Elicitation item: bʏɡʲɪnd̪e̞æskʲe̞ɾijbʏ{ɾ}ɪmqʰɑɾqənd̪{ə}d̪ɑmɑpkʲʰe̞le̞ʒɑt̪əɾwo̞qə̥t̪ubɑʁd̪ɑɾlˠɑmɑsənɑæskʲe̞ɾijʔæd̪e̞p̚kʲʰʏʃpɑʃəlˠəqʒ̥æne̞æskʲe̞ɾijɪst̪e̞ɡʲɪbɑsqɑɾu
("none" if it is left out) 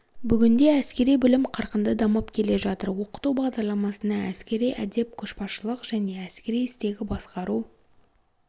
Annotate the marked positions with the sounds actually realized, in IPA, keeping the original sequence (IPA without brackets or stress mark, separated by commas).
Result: l, ə